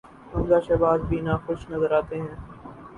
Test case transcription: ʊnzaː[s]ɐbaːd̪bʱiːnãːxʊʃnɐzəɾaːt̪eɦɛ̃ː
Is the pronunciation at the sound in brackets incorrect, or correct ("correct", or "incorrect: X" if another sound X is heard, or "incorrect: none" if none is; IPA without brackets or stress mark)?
incorrect: ʃ